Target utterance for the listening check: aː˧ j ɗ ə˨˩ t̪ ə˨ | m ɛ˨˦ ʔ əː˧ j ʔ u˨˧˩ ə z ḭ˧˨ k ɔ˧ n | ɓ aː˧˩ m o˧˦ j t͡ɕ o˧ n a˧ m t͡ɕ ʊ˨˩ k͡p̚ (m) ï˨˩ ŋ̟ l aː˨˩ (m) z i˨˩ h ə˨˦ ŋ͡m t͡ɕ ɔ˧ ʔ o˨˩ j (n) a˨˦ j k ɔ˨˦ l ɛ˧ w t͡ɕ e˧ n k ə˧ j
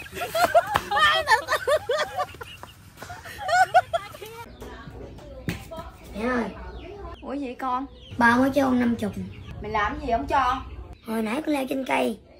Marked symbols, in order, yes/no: yes, yes, yes

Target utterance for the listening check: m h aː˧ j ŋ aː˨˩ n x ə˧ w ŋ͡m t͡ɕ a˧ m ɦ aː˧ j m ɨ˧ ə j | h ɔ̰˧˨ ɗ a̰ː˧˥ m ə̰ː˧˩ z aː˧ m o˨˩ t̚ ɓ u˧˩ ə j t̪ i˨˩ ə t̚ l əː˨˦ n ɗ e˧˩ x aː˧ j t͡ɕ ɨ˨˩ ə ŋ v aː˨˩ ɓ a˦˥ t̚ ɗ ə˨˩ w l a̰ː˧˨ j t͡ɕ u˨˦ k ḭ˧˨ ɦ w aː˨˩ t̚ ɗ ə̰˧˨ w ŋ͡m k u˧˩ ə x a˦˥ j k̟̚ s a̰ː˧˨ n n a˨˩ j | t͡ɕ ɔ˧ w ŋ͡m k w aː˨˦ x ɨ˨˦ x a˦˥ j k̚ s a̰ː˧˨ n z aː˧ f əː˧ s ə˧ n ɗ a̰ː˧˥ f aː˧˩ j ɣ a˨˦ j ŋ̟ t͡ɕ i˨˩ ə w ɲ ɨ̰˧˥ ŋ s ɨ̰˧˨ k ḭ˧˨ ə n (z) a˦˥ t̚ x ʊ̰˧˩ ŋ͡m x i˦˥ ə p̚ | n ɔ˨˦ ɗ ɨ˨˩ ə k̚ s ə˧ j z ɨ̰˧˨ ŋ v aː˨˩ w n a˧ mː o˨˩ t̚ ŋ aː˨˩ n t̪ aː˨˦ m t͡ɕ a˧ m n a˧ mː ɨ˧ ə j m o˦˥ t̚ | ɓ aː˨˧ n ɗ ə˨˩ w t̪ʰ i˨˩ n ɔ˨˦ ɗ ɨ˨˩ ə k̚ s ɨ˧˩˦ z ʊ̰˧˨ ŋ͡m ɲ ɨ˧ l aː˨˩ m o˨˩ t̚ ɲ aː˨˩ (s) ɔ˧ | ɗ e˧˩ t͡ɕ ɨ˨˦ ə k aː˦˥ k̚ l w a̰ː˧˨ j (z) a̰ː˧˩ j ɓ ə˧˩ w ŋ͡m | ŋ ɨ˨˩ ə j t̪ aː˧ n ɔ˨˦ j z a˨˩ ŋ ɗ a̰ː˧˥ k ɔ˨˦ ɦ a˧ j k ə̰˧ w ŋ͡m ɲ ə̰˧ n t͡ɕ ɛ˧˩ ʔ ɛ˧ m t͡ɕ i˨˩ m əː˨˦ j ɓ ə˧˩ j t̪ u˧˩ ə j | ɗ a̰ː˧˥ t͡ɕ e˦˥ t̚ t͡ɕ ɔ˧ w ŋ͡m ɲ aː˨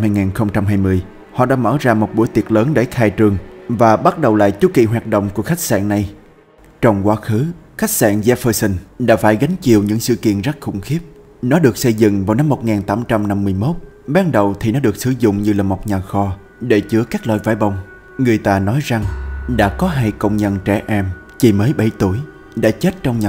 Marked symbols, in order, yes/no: yes, no, no

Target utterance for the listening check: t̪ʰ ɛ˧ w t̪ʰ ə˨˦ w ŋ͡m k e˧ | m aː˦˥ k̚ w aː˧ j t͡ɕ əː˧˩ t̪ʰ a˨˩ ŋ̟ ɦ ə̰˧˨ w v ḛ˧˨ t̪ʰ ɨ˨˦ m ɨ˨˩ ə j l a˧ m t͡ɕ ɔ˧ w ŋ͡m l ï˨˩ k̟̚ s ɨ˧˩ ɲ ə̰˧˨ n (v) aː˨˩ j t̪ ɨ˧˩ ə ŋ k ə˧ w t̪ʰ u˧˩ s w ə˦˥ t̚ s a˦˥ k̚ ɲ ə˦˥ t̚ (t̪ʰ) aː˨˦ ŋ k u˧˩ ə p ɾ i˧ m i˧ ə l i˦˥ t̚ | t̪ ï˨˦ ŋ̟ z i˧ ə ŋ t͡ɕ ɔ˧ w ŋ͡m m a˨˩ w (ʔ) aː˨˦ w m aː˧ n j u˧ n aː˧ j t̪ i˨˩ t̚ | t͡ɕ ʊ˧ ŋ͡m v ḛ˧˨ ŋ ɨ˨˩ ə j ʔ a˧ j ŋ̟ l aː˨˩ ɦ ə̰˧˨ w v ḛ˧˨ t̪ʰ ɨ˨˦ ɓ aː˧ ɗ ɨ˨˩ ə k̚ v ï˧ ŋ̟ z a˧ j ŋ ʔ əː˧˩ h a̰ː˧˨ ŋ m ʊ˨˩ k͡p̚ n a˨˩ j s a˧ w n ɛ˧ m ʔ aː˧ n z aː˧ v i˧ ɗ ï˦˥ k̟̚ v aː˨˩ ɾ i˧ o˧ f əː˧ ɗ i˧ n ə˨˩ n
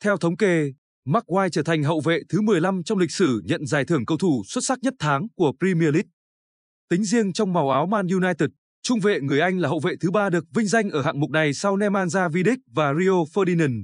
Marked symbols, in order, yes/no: no, yes, yes

